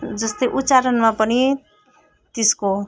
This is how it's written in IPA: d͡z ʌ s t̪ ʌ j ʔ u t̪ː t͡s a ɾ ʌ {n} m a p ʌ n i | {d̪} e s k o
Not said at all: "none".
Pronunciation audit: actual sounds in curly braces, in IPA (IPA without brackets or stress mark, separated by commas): n, t̪